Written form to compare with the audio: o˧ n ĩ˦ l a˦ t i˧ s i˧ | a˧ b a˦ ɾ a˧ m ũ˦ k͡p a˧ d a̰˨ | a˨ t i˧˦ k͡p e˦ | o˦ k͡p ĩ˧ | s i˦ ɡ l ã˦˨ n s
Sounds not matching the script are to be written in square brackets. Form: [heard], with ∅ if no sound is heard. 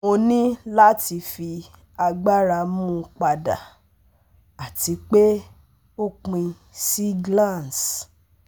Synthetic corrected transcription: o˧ n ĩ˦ l a˦ t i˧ [f] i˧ | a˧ [ɡ͡b] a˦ ɾ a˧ m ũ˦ k͡p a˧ d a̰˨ | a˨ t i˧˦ k͡p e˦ | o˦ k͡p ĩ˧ | s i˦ ɡ l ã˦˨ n s